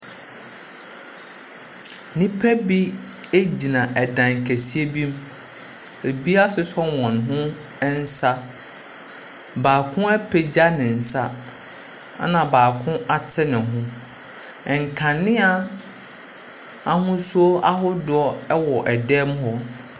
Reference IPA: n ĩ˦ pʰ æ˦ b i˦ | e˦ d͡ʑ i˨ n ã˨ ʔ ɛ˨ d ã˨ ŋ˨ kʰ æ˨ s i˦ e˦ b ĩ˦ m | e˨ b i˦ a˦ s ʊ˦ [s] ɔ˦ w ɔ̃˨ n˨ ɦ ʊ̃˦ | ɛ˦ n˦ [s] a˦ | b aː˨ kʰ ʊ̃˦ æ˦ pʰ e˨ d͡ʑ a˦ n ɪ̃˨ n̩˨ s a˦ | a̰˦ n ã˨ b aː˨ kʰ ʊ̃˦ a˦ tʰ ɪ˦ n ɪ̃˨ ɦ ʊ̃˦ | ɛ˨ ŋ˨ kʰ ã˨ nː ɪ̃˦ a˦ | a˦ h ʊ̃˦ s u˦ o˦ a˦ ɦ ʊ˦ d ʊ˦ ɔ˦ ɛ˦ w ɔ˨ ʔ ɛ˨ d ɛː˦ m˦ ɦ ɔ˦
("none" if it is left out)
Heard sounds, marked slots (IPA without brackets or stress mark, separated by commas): s, s